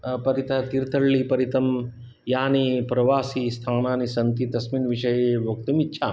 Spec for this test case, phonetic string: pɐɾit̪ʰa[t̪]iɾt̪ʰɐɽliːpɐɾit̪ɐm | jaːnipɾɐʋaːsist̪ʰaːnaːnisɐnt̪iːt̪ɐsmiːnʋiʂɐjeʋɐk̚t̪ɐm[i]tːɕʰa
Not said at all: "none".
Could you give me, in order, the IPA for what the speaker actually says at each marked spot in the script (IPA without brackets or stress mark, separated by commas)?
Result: t̪, i